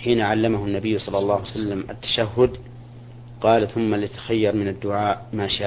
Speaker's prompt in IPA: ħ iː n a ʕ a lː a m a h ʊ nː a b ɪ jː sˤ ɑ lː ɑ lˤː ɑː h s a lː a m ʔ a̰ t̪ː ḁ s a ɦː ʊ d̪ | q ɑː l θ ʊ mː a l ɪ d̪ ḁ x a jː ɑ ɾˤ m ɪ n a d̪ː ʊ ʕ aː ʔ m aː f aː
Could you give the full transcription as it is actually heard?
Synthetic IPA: ħ iː n a ʕ a lː a m a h ʊ nː a b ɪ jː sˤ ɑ lː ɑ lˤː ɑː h s a lː a m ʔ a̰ t̪ː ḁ ʃ a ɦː ʊ d̪ | q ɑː l θ ʊ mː a l ɪ t̪ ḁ x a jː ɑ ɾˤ m ɪ n a d̪ː ʊ ʕ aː ʔ m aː ʃ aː